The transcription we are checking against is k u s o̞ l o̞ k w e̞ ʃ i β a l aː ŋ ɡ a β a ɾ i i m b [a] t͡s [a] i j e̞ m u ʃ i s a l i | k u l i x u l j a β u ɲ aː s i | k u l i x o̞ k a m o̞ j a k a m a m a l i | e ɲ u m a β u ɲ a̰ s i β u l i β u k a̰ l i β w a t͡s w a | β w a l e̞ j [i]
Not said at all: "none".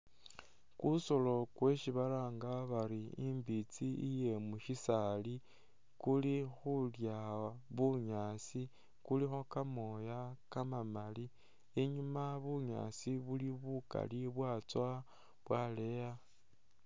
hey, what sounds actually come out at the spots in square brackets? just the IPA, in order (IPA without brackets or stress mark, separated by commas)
i, i, a